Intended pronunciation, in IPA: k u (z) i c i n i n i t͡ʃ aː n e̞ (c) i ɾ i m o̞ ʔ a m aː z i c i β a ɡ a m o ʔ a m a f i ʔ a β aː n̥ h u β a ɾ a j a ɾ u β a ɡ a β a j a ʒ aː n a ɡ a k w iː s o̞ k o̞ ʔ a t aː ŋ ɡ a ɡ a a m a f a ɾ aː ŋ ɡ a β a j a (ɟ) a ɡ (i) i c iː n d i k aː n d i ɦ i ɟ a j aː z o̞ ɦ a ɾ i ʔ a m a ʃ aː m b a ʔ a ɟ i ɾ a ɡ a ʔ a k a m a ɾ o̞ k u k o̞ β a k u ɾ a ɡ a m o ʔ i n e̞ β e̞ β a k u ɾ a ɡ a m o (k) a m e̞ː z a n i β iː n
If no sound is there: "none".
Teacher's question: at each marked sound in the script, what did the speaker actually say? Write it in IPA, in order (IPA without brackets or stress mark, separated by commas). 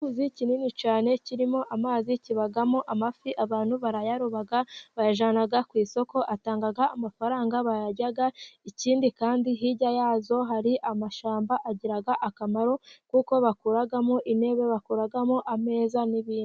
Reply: z, c, ɟ, a, ʔ